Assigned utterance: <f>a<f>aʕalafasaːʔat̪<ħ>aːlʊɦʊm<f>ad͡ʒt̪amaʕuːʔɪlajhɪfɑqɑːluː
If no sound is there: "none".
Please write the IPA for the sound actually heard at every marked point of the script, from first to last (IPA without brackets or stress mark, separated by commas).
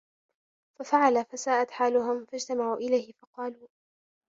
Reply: f, f, ħ, f